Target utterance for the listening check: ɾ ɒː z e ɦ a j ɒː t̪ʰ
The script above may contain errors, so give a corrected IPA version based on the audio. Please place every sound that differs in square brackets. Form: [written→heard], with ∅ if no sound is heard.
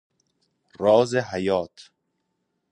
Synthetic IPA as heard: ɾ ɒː z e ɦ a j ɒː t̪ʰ